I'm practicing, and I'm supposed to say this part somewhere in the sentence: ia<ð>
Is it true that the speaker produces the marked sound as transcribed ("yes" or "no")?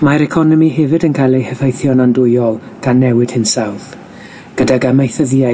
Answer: no